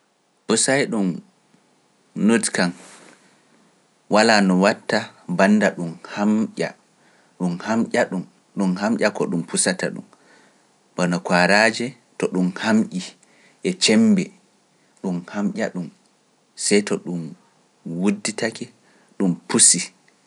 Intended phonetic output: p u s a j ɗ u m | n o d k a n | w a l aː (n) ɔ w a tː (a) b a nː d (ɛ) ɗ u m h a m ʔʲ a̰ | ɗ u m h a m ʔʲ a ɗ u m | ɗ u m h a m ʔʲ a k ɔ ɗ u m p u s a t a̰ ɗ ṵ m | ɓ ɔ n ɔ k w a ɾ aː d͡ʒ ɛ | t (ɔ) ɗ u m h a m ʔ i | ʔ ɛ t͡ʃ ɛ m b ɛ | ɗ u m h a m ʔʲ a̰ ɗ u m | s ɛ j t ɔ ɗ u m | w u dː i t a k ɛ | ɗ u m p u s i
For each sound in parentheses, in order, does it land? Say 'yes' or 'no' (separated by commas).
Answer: yes, yes, no, yes